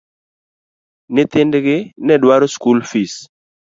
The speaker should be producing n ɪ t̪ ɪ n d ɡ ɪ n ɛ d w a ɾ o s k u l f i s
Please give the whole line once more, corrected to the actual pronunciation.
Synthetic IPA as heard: n ɪ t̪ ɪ n d ɡ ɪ n ɛ d w a ɾ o s k u l f i s

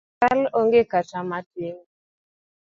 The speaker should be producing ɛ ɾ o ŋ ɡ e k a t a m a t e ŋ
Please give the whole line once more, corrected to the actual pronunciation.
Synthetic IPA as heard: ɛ l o ŋ ɡ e k a t͡ʃ a m a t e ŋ

